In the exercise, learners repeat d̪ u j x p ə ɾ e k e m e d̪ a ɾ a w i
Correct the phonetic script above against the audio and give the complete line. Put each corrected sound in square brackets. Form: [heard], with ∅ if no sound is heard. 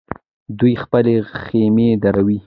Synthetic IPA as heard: d̪ u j x p ə [l] e [x] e m e d̪ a ɾ a w i